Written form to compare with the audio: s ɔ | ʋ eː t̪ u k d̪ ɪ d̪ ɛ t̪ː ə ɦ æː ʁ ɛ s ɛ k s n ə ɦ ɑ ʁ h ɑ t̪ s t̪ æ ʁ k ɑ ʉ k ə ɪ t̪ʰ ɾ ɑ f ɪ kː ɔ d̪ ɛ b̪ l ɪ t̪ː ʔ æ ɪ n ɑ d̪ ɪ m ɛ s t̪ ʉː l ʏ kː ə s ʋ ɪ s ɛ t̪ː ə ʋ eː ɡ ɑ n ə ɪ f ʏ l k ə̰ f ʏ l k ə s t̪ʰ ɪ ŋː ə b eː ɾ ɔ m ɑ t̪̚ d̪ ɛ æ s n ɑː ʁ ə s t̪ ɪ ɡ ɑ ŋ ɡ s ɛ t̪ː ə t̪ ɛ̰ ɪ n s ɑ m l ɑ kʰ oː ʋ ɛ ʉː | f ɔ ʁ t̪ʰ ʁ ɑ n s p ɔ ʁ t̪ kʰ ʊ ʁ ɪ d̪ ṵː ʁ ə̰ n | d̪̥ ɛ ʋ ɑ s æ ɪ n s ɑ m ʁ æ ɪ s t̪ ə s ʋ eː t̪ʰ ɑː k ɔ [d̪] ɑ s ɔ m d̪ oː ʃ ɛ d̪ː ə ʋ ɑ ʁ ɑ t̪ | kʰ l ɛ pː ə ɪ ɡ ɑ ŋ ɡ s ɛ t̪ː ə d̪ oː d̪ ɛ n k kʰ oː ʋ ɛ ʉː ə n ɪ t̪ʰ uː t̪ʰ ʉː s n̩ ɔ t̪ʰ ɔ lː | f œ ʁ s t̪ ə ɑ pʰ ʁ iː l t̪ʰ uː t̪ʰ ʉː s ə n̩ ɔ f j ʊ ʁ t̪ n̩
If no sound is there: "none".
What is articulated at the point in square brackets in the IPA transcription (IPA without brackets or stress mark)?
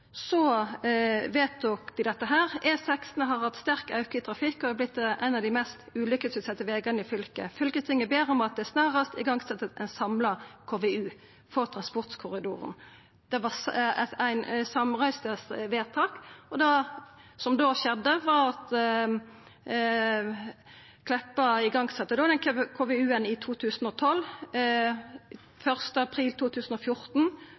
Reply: d̪